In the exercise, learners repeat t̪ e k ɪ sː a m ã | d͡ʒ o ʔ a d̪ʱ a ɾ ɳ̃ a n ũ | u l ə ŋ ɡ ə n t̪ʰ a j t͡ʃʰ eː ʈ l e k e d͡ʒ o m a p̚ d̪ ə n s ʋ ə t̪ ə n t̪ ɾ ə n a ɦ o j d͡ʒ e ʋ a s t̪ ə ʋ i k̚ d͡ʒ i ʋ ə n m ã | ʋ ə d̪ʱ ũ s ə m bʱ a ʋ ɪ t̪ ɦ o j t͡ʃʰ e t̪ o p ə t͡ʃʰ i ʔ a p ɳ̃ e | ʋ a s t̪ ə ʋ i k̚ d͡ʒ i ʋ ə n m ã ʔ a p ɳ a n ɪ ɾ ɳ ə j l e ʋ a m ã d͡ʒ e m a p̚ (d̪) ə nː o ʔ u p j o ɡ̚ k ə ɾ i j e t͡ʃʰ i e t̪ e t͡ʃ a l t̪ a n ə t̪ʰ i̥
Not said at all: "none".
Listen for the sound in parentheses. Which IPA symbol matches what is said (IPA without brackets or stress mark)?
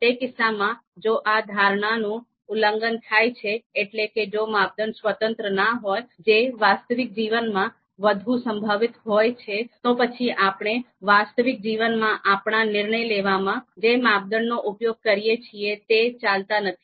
d̪